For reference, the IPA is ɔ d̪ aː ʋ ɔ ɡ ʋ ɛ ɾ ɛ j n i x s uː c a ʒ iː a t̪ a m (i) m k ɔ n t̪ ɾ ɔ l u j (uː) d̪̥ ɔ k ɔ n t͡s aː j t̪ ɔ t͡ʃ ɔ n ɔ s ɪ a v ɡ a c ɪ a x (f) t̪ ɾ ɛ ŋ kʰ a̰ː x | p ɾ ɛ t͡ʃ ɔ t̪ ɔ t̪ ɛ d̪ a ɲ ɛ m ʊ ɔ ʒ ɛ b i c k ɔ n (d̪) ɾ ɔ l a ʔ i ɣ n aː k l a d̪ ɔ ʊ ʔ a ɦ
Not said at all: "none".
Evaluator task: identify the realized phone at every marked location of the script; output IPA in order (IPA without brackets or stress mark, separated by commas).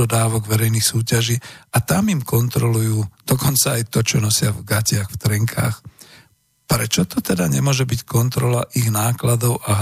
i, uː, f, t̪